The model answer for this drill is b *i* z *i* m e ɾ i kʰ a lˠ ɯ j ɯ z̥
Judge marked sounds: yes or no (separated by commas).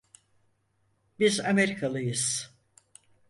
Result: yes, no